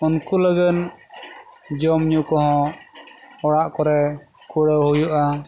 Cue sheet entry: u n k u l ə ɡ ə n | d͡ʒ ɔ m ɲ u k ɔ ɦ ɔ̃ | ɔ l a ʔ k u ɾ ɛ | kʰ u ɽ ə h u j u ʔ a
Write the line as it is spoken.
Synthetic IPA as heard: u n k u l ə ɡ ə n | d͡ʒ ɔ m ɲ u k ɔ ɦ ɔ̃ | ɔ ɽ a ʔ k ɔ ɾ ɛ | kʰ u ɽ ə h u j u ʔ a